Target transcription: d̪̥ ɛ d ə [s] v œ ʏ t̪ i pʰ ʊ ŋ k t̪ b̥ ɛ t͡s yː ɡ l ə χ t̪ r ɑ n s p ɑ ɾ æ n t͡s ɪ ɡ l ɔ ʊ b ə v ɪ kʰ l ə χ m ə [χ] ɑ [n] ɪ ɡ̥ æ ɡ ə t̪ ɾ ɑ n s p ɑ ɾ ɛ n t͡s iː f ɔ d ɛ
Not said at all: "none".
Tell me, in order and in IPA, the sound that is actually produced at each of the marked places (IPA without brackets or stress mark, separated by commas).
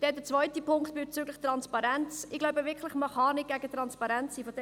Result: t͡s, χ, n